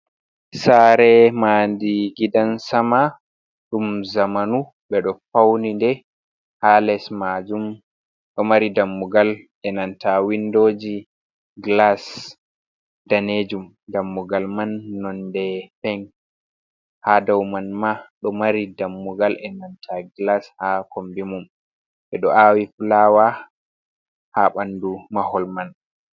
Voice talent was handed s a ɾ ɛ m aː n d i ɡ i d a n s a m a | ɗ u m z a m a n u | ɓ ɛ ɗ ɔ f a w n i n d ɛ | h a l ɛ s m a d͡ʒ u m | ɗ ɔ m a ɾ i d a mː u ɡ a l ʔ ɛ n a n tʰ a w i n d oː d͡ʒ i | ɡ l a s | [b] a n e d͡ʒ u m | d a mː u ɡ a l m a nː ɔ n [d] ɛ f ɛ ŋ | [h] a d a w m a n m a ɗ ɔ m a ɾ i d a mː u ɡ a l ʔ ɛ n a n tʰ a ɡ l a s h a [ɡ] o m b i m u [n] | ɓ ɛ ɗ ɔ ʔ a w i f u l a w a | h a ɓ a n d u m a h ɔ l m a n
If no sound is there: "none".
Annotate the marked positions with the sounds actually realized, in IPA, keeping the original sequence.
d, d, h, k, m

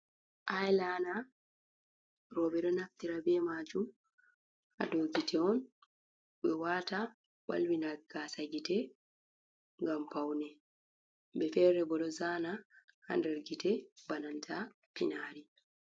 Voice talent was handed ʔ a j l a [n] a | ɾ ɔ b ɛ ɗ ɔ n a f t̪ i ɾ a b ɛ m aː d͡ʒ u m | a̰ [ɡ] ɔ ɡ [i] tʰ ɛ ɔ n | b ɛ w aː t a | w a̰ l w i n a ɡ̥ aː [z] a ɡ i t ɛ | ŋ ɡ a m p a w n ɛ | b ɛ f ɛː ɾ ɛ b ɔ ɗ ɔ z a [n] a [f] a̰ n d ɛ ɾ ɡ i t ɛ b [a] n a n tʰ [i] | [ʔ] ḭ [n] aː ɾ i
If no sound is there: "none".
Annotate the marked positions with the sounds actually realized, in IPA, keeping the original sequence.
n, d, i, s, n, h, a, a, p, n

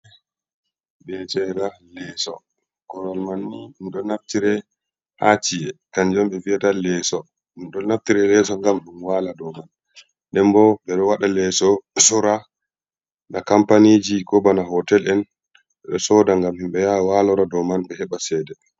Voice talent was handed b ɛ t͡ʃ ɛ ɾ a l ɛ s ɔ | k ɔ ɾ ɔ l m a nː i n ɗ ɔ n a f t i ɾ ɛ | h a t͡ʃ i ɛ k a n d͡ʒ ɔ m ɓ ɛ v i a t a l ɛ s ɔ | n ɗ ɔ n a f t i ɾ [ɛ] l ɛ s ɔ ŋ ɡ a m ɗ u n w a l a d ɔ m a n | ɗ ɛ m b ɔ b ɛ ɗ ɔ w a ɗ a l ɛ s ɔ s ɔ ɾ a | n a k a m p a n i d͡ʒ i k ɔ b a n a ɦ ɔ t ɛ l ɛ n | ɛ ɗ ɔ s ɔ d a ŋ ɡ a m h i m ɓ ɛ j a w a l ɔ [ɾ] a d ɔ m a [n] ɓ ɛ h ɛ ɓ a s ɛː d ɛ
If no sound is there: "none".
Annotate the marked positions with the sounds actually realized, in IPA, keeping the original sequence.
ɛ, ɾ, n

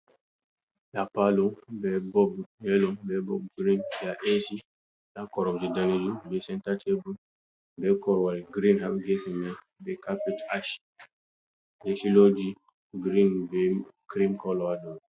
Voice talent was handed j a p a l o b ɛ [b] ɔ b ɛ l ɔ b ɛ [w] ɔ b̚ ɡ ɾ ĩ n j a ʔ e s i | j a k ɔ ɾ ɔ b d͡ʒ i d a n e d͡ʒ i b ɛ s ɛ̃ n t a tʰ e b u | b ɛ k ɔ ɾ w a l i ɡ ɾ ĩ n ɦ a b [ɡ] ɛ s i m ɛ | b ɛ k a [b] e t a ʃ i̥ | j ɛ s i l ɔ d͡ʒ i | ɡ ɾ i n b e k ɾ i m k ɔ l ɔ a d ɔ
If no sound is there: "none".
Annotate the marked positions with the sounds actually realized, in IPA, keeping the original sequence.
b, b, ɡ, p

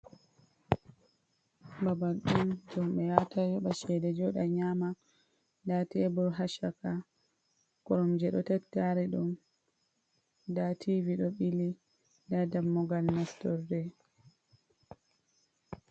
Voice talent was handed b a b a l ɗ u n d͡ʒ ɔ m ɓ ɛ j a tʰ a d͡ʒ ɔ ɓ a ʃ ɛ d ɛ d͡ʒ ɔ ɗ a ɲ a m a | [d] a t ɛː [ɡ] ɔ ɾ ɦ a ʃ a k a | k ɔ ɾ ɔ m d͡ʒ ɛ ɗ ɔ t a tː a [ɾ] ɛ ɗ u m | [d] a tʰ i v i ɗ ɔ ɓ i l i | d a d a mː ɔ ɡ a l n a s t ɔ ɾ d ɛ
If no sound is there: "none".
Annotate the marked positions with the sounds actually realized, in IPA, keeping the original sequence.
d, b, ɾ, d

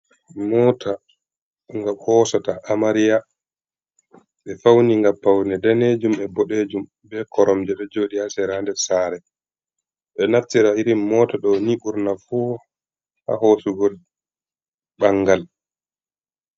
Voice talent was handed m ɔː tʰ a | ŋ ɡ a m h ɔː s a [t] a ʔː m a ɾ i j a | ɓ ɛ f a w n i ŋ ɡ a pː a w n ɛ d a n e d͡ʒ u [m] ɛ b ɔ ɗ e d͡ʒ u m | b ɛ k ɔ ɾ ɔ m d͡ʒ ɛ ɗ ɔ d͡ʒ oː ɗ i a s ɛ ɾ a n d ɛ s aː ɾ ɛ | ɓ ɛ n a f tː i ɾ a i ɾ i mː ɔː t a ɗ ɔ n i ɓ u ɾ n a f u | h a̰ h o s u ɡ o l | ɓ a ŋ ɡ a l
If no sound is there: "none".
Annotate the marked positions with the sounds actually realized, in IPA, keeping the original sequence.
t, m

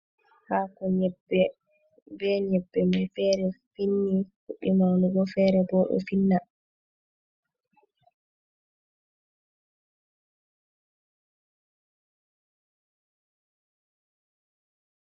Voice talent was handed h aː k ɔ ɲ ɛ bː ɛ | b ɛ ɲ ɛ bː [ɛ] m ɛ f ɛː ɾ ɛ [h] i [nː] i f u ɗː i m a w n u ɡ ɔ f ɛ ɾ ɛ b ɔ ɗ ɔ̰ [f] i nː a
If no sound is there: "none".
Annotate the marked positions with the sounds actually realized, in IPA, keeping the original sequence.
ɛ, f, nː, f

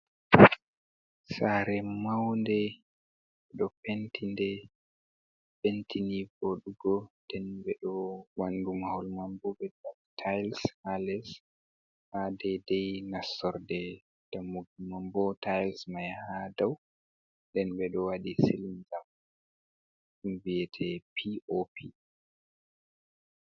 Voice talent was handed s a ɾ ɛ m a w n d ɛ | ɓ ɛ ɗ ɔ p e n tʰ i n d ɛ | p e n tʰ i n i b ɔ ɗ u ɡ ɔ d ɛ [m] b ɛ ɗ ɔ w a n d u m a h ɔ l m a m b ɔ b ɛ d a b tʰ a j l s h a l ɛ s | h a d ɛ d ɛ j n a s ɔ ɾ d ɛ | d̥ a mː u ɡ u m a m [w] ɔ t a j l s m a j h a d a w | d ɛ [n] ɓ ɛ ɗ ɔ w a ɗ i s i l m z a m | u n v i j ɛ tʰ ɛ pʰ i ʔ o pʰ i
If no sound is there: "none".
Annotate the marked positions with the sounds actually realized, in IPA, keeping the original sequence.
n, b, n

